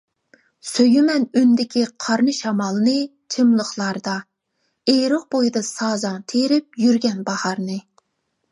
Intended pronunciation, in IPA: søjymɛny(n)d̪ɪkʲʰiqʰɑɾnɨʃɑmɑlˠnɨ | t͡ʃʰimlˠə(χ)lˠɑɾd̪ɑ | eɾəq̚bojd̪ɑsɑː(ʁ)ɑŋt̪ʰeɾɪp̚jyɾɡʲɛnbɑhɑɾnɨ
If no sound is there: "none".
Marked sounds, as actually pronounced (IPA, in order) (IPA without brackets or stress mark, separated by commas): n, χ, z